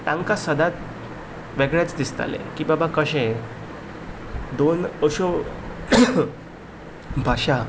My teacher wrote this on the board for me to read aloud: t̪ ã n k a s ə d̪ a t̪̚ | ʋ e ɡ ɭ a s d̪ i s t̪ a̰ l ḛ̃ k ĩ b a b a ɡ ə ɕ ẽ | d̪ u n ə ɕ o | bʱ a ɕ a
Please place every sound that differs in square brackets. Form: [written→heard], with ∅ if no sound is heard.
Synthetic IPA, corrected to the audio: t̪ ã [n→ŋ] k a s ə d̪ a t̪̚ | ʋ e ɡ ɭ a [s→t͡s] d̪ i s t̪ a̰ l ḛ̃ k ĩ b a b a [ɡ→k] ə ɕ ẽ | d̪ [u→o] n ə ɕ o | bʱ a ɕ a

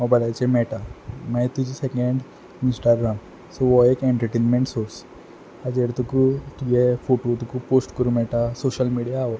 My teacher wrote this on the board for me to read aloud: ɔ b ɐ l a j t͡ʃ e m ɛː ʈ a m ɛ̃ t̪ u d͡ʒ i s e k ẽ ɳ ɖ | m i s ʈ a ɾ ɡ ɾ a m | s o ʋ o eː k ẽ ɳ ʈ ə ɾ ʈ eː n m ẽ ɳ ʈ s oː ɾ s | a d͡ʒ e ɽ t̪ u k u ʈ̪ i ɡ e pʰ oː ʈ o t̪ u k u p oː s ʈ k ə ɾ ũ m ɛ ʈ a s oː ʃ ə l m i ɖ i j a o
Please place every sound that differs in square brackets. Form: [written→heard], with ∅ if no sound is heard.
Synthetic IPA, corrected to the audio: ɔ b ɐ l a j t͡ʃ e m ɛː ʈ a m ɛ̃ t̪ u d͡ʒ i s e k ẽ ɳ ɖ | m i s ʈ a ɾ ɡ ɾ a m | s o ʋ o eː k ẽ ɳ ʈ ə ɾ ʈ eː n m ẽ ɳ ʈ s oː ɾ s | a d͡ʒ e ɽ t̪ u k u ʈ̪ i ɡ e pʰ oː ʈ o t̪ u k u p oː s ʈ k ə ɾ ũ m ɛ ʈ a s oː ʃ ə l m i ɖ i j a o

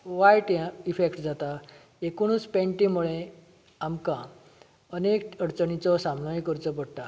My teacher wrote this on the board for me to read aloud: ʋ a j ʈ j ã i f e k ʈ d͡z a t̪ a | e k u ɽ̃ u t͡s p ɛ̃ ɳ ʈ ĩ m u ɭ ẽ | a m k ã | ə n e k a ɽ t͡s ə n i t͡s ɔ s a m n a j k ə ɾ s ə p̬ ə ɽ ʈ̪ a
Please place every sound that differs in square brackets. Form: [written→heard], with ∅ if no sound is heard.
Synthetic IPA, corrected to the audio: ʋ a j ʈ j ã i f e k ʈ d͡z a t̪ a | e k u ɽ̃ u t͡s p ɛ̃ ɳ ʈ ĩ m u ɭ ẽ | a m k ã | ə n e k [a→ə] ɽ t͡s ə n i t͡s ɔ s a m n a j k ə ɾ [s→t͡s] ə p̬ ə ɽ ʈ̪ a

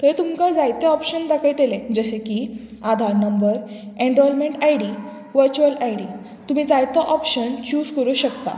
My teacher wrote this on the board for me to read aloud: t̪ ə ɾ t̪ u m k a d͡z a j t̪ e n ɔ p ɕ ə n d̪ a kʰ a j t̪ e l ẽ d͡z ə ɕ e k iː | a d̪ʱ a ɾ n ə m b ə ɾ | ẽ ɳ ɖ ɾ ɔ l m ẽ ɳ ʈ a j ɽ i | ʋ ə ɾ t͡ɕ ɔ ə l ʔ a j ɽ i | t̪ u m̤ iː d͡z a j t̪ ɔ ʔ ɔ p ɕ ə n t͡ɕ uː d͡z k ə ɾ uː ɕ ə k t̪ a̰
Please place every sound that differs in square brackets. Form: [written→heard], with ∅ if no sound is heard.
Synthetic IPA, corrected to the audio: t̪ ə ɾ t̪ u m k a d͡z a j t̪ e [n→∅] ɔ p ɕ ə n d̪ a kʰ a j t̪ e l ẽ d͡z ə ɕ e k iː | a d̪ʱ a ɾ n ə m b ə ɾ | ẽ ɳ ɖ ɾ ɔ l m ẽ ɳ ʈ a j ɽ i | ʋ ə ɾ t͡ɕ [ɔ→u] ə l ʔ a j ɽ i | t̪ u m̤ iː d͡z a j t̪ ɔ ʔ ɔ p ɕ ə n t͡ɕ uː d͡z k ə ɾ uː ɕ ə k t̪ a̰

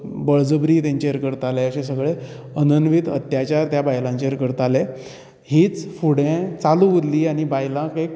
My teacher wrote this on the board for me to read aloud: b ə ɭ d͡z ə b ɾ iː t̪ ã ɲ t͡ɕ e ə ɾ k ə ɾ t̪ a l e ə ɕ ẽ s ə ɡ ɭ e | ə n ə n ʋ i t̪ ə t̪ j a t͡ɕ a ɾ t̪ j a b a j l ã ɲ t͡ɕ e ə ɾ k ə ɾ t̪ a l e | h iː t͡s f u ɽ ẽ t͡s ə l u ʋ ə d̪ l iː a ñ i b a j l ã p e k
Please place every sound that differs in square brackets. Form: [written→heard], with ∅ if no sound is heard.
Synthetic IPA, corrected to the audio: b ə ɭ d͡z ə b ɾ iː t̪ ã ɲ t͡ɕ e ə ɾ k ə ɾ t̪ a l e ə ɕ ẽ s ə ɡ ɭ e | ə n ə n ʋ i t̪ ə t̪ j a t͡ɕ a ɾ t̪ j a b a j l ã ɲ t͡ɕ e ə ɾ k ə ɾ t̪ a l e | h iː t͡s f u ɽ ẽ t͡s [ə→a] l u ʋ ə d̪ l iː a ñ i b a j l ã [p→k] e k

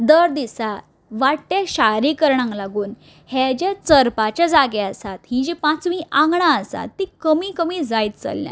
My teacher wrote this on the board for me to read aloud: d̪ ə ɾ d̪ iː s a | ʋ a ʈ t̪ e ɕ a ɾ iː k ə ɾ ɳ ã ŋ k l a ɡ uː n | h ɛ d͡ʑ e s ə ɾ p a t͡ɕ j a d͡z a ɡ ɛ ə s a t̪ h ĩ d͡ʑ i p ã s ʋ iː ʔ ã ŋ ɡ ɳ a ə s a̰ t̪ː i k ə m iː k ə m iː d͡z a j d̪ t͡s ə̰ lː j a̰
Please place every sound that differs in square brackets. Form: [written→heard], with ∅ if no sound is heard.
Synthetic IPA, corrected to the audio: d̪ ə ɾ d̪ [iː→i] s a | ʋ a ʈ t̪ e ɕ a ɾ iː k ə ɾ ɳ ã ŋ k l a ɡ uː n | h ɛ d͡ʑ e [s→t͡s] ə ɾ p a t͡ɕ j a d͡z a ɡ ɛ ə s a t̪ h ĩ d͡ʑ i p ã [s→t͡s] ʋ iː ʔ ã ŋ ɡ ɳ a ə s a̰ t̪ː i k ə m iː k ə m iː d͡z a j [d̪→t̪] t͡s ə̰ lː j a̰

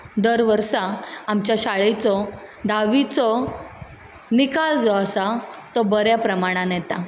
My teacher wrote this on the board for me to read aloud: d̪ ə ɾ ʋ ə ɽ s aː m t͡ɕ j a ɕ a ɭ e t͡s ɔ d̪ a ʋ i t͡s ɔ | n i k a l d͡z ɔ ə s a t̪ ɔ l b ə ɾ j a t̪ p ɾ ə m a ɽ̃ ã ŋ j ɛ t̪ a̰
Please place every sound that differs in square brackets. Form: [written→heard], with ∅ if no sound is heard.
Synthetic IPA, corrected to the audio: d̪ ə ɾ ʋ ə [ɽ→ɾ] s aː m t͡ɕ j a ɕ a ɭ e t͡s ɔ d̪ a ʋ i t͡s ɔ | n i k a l d͡z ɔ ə s a t̪ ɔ [l→∅] b ə ɾ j a [t̪→∅] p ɾ ə m a ɽ̃ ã [ŋ→n] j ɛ t̪ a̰

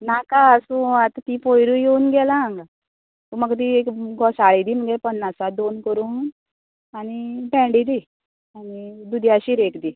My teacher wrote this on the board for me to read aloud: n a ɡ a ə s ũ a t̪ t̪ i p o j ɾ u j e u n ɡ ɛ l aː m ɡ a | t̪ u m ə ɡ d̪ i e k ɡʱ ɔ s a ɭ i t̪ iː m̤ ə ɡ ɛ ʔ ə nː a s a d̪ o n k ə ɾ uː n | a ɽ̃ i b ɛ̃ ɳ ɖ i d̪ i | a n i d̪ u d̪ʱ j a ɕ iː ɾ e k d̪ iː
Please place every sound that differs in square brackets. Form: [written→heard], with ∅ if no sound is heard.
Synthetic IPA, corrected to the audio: n a [ɡ→k] a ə s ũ a t̪ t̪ i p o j ɾ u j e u n ɡ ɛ l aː [m→ŋ] ɡ a | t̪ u m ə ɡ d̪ i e k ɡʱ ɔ s a ɭ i [t̪→d̪] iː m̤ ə ɡ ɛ [ʔ→p] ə nː a s a d̪ o n k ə ɾ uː n | a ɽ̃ i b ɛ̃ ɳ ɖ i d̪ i | a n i d̪ u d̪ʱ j a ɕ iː ɾ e k d̪ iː

